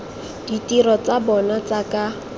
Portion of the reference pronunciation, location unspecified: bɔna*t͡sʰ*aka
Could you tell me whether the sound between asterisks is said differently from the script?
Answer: yes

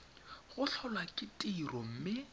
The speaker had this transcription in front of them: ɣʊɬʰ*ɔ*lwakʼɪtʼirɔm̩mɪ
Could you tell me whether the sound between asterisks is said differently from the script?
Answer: no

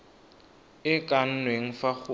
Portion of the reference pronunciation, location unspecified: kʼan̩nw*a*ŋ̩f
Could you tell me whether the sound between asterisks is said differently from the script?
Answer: yes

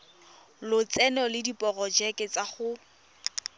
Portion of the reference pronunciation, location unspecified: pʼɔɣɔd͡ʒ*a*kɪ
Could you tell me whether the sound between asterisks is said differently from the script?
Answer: yes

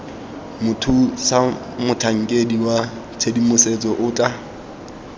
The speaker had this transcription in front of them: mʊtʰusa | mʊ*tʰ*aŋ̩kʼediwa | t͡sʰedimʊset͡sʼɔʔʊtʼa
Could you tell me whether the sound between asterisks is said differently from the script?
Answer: no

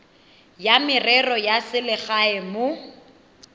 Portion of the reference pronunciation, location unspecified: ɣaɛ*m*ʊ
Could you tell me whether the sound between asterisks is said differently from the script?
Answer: no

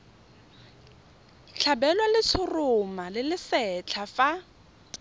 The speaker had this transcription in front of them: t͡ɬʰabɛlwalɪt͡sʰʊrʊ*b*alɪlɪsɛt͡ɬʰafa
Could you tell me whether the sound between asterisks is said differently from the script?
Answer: yes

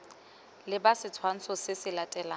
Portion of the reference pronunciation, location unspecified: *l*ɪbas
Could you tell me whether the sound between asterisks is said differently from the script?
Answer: no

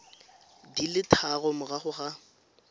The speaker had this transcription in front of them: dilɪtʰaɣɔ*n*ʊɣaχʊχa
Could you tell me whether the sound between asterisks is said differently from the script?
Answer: yes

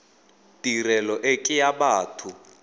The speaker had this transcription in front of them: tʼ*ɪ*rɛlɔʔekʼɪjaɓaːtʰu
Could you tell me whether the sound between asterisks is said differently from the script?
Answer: yes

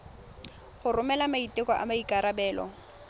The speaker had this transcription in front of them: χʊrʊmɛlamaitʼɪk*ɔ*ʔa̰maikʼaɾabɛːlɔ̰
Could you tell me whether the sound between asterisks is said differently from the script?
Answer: no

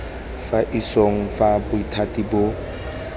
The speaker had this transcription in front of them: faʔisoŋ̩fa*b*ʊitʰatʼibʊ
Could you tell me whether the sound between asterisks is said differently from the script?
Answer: no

